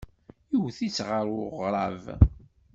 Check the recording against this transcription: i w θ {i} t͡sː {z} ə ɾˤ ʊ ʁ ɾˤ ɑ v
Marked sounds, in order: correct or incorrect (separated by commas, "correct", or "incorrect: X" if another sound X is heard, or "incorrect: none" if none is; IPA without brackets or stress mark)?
correct, incorrect: ʁ